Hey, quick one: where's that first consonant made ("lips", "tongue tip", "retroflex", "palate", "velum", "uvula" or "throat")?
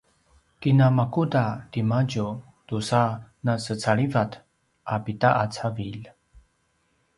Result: velum